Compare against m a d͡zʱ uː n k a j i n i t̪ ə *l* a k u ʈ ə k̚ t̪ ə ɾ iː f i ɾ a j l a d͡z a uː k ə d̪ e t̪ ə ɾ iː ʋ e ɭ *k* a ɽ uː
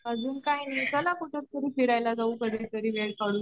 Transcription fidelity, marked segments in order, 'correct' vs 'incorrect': correct, correct

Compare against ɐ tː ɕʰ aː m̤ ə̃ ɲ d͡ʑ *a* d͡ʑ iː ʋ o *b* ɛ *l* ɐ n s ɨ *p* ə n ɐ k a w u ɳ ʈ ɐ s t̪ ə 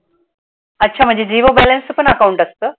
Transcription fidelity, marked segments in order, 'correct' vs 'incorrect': incorrect: e, correct, correct, correct

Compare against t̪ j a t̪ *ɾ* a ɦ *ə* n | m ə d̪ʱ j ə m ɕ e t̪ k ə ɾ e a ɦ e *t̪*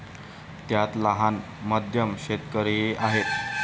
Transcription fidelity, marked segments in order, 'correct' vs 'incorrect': incorrect: l, incorrect: a, correct

